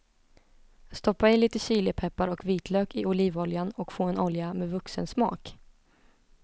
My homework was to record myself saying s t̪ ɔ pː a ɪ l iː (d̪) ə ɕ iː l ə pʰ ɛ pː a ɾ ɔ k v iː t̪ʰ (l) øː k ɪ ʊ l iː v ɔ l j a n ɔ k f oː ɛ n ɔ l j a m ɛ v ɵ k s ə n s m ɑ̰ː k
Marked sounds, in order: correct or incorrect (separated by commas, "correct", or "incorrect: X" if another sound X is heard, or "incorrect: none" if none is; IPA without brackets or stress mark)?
incorrect: t̪, correct